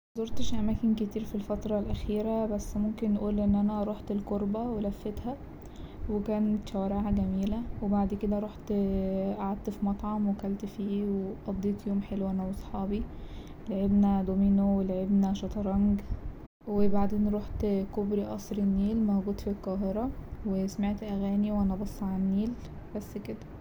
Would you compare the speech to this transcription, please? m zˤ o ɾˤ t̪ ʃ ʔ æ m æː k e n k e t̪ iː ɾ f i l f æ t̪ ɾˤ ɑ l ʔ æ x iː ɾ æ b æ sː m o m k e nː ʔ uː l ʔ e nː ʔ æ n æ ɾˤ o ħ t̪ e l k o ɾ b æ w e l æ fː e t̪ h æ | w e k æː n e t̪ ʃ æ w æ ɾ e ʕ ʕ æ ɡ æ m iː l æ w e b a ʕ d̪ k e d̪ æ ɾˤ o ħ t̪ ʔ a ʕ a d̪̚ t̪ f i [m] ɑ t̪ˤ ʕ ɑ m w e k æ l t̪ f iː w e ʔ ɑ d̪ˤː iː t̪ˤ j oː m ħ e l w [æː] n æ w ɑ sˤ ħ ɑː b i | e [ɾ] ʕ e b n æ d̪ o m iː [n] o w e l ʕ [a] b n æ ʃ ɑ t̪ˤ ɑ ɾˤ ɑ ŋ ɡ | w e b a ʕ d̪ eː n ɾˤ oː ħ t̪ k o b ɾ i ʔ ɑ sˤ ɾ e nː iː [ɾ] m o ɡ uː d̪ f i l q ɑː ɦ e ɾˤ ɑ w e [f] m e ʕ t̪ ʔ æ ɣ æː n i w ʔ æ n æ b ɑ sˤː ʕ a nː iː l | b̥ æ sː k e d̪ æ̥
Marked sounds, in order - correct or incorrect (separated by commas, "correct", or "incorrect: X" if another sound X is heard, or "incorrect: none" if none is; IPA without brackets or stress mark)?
correct, incorrect: æ, incorrect: l, correct, incorrect: e, incorrect: l, incorrect: s